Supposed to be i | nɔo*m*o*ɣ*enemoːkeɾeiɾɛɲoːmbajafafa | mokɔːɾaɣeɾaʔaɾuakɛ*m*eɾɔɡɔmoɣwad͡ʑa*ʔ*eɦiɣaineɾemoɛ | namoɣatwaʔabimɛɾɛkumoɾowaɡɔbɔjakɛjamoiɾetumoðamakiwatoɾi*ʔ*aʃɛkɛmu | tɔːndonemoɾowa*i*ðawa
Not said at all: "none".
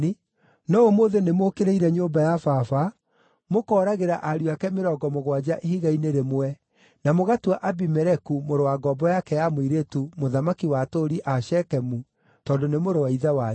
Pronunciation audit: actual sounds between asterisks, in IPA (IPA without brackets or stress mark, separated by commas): m, ð, m, ʔ, ʔ, i